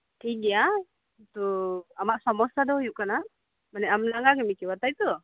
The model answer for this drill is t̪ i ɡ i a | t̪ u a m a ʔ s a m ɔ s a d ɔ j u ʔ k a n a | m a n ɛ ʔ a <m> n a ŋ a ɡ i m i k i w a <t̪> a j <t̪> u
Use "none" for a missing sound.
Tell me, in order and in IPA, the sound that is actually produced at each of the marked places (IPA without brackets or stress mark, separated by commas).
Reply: m, t̪, t̪